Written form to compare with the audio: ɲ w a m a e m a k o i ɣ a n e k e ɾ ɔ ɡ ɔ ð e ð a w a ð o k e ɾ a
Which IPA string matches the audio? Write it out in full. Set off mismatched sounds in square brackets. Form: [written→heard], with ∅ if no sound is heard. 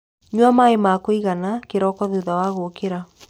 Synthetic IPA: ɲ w a m a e m a k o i ɣ a n [e→a] k e ɾ ɔ [ɡ→k] ɔ ð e ð a w a [ð→ɣ] o k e ɾ a